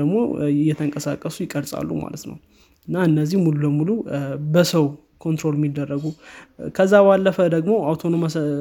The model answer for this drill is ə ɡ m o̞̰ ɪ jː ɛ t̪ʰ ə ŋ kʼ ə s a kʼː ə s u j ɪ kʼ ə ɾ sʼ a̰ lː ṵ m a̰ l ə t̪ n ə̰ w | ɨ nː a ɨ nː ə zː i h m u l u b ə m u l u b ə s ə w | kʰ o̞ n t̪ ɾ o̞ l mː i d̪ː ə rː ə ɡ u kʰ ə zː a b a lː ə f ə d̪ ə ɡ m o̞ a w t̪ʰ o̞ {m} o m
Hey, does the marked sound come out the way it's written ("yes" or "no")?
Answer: no